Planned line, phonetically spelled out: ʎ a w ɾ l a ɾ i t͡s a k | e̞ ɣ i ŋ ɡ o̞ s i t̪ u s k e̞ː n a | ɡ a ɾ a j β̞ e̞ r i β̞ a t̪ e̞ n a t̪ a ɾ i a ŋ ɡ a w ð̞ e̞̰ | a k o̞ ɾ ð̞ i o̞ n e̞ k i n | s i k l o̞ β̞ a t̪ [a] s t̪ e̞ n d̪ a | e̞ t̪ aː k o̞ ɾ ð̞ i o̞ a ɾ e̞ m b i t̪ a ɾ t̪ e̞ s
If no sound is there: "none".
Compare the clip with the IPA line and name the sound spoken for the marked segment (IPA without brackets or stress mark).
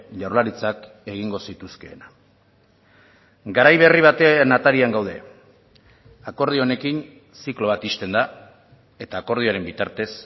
i